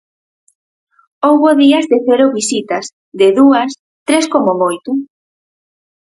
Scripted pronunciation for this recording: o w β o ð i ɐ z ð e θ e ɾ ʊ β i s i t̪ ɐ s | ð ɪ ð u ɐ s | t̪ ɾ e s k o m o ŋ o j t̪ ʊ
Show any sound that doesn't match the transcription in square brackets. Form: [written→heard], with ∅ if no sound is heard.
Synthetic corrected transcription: o w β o ð i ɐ z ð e θ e ɾ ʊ β i s i t̪ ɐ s | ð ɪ ð u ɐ s | t̪ ɾ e s k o m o [ŋ→m] o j t̪ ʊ